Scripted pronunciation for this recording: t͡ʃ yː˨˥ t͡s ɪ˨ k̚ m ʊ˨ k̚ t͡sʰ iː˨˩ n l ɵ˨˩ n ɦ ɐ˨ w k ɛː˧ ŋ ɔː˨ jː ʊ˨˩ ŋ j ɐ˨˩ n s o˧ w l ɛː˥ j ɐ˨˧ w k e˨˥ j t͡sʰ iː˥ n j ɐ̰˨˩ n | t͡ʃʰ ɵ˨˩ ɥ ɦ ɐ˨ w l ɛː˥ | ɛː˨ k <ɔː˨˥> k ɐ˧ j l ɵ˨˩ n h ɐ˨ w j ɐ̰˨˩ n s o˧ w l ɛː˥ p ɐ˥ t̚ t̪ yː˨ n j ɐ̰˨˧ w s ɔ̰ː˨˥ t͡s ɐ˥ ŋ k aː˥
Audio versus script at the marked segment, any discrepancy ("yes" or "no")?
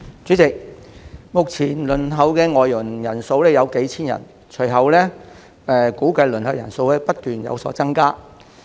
yes